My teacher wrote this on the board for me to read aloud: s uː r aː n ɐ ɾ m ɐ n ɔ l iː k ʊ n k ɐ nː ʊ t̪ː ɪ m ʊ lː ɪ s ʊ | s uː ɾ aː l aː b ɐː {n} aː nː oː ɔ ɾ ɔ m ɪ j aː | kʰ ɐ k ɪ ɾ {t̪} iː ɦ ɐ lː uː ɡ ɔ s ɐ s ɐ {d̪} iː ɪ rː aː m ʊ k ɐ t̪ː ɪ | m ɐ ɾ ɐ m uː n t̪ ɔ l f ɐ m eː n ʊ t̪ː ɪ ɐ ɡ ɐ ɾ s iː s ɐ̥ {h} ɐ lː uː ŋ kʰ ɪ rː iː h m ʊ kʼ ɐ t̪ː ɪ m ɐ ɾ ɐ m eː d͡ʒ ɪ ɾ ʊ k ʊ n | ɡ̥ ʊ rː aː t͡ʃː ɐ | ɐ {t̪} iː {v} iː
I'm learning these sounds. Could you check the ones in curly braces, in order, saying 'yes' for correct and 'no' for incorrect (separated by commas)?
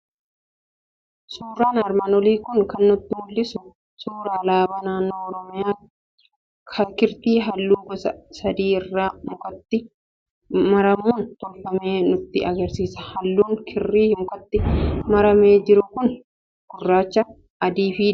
yes, yes, yes, yes, no, no